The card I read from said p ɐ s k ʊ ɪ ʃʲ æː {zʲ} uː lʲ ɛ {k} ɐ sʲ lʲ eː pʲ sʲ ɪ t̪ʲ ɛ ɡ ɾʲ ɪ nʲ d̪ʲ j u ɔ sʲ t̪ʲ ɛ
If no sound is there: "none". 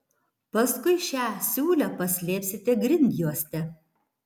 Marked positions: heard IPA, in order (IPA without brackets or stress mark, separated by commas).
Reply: sʲ, p